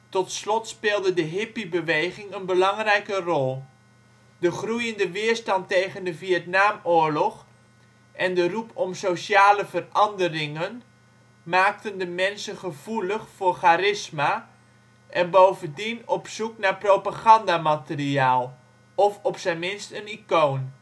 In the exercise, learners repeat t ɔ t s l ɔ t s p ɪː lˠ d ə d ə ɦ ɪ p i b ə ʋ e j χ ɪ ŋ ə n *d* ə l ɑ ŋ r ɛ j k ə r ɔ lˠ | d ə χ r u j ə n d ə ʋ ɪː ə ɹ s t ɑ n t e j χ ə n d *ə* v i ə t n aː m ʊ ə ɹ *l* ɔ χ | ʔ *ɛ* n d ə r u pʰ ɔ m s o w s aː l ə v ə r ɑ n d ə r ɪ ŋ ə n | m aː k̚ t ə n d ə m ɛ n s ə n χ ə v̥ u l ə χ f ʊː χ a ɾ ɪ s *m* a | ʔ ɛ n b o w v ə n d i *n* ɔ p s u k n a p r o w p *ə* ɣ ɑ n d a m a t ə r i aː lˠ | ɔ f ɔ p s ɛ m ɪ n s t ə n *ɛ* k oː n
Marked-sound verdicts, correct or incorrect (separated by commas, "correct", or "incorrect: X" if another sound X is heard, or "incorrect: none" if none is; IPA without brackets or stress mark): incorrect: b, correct, correct, correct, correct, correct, incorrect: a, incorrect: i